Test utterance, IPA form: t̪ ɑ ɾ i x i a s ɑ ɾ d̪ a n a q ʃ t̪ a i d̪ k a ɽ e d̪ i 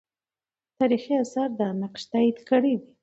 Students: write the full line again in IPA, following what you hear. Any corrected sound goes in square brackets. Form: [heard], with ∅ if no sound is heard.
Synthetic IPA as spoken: t̪ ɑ ɾ i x i a s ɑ ɾ d̪ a n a q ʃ t̪ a i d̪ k [ə] ɽ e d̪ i